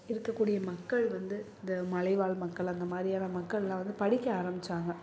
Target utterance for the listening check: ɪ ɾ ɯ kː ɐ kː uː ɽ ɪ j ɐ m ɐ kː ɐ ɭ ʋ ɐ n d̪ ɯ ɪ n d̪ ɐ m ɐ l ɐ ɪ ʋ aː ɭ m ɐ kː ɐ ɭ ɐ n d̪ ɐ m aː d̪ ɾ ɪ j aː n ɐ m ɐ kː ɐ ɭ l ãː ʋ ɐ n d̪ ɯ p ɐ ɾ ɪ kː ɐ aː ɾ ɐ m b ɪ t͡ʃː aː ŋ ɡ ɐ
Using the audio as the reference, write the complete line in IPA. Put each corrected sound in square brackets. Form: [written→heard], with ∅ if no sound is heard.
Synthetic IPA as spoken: ɪ ɾ ɯ kː ɐ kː uː ɽ ɪ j ɐ m ɐ kː ɐ ɭ ʋ ɐ n d̪ ɯ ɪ n d̪ ɐ m ɐ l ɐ ɪ ʋ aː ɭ m ɐ kː ɐ ɭ ɐ n d̪ ɐ m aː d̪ ɾ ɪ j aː n ɐ m ɐ kː ɐ ɭ l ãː ʋ ɐ n d̪ ɯ p ɐ [ɾ→ɽ] ɪ kː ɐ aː ɾ ɐ m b ɪ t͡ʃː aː ŋ ɡ ɐ